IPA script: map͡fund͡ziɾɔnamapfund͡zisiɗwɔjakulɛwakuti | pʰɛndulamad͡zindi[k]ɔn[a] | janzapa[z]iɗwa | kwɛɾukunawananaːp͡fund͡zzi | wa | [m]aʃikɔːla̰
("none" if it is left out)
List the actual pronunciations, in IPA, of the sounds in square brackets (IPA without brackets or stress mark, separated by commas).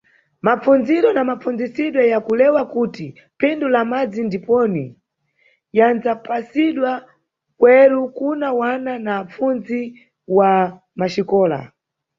p, i, s, m